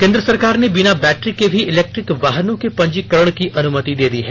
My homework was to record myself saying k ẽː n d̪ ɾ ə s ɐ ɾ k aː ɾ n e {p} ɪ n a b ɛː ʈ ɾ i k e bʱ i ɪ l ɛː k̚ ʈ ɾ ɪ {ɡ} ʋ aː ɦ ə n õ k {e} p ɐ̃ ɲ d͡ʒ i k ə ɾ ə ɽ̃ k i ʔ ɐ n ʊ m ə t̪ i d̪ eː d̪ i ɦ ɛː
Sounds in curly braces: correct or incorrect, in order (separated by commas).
incorrect, incorrect, correct